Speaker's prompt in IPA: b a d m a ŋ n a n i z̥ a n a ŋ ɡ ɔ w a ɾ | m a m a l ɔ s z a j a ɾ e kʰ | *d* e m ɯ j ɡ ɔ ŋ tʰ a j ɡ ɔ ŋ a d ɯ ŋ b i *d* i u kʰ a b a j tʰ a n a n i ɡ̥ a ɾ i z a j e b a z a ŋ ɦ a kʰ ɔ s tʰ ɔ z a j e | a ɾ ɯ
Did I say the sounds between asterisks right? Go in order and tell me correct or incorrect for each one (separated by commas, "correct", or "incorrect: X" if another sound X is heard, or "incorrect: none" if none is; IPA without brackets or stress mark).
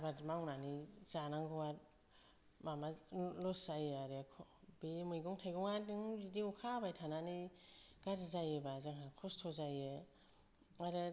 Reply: incorrect: b, correct